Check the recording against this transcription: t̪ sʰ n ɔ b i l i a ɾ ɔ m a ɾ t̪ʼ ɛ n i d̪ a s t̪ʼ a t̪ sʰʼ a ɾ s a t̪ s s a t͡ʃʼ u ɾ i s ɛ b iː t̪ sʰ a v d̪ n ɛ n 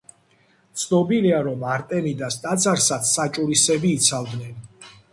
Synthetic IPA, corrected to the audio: t̪ sʰ n ɔ b i l i a ɾ ɔ m a ɾ t̪ʼ ɛ n i d̪ a s t̪ʼ a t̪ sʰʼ a ɾ s a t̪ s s a t͡ʃʼ u ɾ i s ɛ b iː t̪ sʰ a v d̪ n ɛ n